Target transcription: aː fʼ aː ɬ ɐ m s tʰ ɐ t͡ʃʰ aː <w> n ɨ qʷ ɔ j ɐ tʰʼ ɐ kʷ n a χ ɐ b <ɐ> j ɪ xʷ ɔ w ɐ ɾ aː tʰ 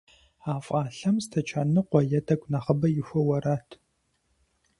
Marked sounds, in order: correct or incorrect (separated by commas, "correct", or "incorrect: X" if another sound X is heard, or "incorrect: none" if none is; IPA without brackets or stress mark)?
incorrect: none, correct